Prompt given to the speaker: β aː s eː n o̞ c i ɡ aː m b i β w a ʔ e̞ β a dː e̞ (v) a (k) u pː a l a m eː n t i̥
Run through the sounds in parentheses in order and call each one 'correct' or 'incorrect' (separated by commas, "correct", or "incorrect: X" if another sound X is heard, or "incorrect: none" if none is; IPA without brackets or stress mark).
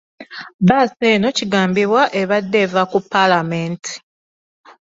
correct, correct